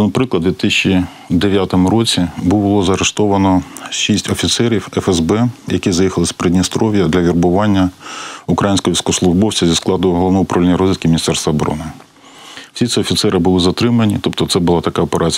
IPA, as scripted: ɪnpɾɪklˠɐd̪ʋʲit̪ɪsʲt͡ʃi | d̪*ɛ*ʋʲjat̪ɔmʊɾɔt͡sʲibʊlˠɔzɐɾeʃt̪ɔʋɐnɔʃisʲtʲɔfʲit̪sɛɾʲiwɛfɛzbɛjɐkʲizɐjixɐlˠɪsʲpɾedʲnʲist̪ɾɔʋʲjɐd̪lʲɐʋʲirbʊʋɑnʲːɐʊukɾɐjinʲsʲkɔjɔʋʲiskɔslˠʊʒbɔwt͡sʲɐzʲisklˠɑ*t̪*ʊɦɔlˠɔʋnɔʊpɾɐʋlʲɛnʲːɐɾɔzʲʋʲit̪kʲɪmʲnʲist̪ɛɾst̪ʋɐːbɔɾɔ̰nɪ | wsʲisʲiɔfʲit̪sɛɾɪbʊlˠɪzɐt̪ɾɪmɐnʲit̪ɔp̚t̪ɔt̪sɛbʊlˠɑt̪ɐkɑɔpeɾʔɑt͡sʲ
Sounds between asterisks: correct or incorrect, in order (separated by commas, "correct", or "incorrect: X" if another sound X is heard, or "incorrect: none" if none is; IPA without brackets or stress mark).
incorrect: e, incorrect: d̪